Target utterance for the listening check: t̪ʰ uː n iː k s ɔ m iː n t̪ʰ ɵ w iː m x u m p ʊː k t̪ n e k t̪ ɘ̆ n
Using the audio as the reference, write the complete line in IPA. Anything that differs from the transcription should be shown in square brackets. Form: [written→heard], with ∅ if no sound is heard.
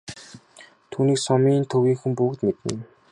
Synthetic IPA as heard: t̪ʰ uː n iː k s ɔ m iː n t̪ʰ ɵ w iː [m→ŋ] x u m p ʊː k t̪ [n→m] e [k→∅] t̪ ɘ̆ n